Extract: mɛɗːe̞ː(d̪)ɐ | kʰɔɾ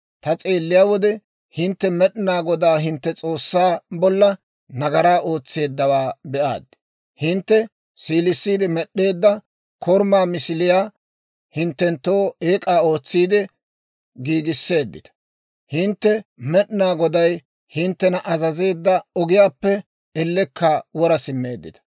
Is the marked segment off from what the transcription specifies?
yes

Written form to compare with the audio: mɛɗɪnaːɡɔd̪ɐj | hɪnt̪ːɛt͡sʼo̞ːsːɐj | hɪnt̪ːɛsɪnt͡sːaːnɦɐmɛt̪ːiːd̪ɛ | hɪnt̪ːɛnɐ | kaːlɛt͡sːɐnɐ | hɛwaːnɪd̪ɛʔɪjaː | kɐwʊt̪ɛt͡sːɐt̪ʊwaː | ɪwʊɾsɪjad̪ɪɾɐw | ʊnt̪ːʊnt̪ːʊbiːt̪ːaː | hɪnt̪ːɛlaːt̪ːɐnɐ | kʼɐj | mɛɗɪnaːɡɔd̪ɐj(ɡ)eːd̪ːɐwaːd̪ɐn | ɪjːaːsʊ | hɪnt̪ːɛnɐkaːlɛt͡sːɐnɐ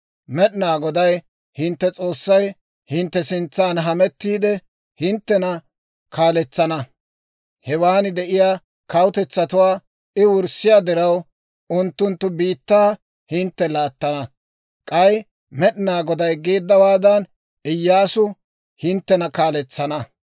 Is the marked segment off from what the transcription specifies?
no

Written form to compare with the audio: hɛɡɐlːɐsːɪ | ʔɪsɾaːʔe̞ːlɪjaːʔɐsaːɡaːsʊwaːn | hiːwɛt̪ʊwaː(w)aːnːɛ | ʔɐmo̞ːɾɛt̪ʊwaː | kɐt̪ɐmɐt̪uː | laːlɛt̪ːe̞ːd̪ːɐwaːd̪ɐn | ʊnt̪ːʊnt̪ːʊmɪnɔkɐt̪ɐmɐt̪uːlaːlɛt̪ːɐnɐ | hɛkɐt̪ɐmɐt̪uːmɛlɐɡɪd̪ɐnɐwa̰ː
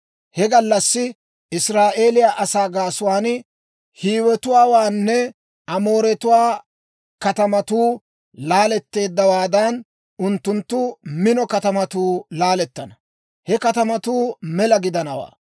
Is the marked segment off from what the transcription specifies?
no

